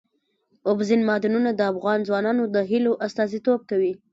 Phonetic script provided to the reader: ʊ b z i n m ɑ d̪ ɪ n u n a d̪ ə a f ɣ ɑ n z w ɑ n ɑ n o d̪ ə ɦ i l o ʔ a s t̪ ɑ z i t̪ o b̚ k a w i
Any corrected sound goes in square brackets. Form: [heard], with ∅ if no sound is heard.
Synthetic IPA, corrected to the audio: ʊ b z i n m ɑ d̪ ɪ n u n a d̪ ə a f ɣ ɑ n z w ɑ n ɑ n o d̪ ə ɦ i l o ʔ a s t̪ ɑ z i t̪ o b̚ k a w i